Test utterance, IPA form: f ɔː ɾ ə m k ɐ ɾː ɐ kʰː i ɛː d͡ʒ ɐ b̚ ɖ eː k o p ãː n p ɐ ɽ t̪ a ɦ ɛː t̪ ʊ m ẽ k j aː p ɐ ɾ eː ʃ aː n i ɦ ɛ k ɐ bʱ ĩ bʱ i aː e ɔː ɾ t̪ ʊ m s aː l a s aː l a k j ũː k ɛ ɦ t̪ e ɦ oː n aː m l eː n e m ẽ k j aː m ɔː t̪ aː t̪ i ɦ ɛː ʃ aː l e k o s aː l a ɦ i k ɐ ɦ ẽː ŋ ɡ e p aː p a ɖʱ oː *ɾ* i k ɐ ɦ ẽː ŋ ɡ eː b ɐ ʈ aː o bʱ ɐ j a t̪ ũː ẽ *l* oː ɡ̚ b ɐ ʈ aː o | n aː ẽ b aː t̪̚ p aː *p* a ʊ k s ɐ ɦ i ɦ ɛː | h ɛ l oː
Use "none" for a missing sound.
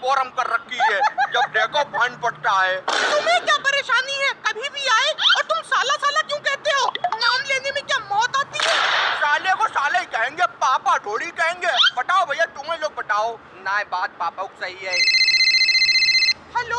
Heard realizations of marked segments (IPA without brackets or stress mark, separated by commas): ɽ, l, p